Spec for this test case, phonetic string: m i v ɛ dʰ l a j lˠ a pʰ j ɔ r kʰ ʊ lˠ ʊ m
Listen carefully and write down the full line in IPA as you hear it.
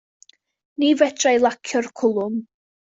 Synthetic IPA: n i v ɛ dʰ r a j lˠ a kʰ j ɔ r kʰ ʊ lˠ ʊ m